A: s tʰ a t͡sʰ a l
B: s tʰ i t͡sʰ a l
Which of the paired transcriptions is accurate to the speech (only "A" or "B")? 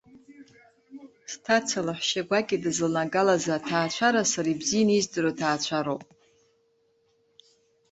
A